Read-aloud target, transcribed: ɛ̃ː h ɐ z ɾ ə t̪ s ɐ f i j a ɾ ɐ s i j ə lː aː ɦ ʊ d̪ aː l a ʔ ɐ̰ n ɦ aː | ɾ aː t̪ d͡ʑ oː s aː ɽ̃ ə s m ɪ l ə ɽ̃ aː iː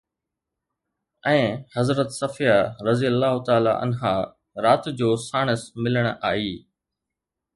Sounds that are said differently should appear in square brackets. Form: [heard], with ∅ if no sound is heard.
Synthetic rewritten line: ɛ̃ː h ɐ z ɾ ə t̪ s ɐ f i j a ɾ ɐ [z] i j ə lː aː ɦ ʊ [t̪] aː l a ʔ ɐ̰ n ɦ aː | ɾ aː t̪ d͡ʑ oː s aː ɽ̃ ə s m ɪ l ə ɽ̃ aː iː

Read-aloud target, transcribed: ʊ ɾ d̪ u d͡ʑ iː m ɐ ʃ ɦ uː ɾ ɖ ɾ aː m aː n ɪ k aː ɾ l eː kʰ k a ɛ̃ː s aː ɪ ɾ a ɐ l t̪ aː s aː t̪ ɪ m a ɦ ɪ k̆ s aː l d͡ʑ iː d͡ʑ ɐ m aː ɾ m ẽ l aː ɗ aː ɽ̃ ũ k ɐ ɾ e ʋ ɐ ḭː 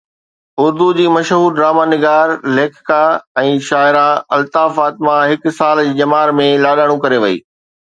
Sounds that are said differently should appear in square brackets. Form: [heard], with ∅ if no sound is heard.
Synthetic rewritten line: ʊ ɾ d̪ u d͡ʑ iː m ɐ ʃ ɦ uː ɾ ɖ ɾ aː m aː n ɪ [ɡ] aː ɾ l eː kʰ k a ɛ̃ː [ʃ] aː ɪ ɾ a ɐ l t̪ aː [f] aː t̪ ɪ m a ɦ ɪ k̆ s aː l d͡ʑ iː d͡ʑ ɐ m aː ɾ m ẽ l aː ɗ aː ɽ̃ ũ k ɐ ɾ e ʋ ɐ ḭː

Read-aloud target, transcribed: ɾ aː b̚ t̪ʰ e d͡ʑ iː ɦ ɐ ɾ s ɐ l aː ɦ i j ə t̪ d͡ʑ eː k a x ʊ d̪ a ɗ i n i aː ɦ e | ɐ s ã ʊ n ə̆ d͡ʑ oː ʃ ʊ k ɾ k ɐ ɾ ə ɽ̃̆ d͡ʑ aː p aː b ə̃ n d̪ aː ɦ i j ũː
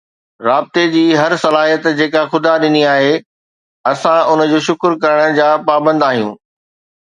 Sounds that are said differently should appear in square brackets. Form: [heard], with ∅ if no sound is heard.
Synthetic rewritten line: ɾ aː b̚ [t̪] e d͡ʑ iː ɦ ɐ ɾ s ɐ l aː ɦ i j ə t̪ d͡ʑ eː k a x ʊ d̪ a ɗ [ɪ] n i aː ɦ e | ɐ s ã ʊ n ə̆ d͡ʑ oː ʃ ʊ k ɾ k ɐ ɾ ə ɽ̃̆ d͡ʑ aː p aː b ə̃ n d̪ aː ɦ i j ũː

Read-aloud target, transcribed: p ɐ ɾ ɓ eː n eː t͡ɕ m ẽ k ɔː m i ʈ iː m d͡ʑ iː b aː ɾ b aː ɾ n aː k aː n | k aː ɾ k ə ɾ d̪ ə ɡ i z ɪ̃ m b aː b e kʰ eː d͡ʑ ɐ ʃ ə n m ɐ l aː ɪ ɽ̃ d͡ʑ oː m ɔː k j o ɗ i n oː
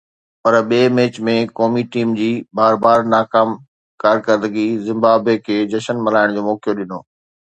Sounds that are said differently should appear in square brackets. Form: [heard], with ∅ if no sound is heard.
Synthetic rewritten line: p ɐ ɾ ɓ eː [m] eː t͡ɕ m ẽ k ɔː m i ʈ iː m d͡ʑ iː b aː ɾ b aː ɾ n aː k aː [m] | k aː ɾ k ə ɾ d̪ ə ɡ i z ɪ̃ m b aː b e kʰ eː d͡ʑ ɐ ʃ ə n m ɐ l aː ɪ ɽ̃ d͡ʑ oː m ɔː k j o ɗ [ɪ] n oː

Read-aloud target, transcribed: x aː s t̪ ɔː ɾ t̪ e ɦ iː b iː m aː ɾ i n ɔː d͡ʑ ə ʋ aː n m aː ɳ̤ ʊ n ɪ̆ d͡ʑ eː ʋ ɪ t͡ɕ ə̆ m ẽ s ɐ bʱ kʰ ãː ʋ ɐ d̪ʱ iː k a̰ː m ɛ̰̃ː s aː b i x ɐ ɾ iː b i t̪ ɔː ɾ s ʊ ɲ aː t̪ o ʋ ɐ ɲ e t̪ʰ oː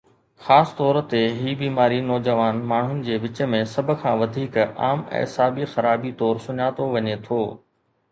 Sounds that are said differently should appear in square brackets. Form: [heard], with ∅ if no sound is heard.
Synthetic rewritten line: x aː s t̪ ɔː ɾ t̪ e ɦ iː b iː m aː ɾ i n ɔː d͡ʑ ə ʋ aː n m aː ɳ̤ ʊ n ɪ̆ d͡ʑ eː ʋ ɪ t͡ɕ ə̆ m ẽ s ɐ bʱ kʰ ãː ʋ ɐ d̪ʱ iː k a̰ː m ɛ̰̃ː s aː b i x ɐ ɾ [aː] b i t̪ ɔː ɾ s ʊ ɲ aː t̪ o ʋ ɐ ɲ e t̪ʰ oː

